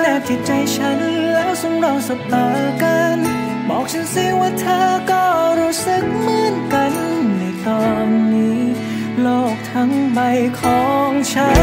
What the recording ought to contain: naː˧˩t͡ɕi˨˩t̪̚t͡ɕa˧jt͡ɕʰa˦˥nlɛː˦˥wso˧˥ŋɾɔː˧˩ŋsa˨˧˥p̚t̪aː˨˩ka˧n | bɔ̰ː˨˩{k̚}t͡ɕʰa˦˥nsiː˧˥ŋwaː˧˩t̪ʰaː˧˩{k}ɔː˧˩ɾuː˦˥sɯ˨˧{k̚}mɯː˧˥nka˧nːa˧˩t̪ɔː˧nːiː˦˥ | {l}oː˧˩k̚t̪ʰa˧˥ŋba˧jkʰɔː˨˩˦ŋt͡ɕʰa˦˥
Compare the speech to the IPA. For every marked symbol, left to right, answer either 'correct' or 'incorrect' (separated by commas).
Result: correct, correct, correct, correct